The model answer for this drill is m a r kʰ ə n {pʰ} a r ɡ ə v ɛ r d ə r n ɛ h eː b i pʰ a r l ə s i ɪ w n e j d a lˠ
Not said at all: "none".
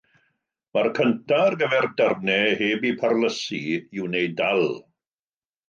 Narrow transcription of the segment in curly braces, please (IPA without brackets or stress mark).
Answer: tʰ